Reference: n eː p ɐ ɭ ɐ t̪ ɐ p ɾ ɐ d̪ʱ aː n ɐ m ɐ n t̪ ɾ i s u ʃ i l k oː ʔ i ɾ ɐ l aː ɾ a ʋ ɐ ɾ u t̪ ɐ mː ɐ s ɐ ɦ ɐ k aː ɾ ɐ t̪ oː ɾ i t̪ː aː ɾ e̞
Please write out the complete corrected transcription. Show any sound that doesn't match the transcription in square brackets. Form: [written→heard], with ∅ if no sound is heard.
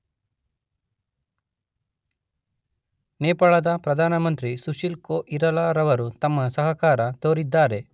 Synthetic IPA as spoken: n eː p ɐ ɭ ɐ [t̪→d̪] ɐ p ɾ ɐ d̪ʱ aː n ɐ m ɐ n t̪ ɾ i s u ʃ i l k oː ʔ i ɾ ɐ l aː ɾ [a→ɐ] ʋ ɐ ɾ u t̪ ɐ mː ɐ s ɐ ɦ ɐ k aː ɾ ɐ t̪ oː ɾ i [t̪ː→d̪ː] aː ɾ e̞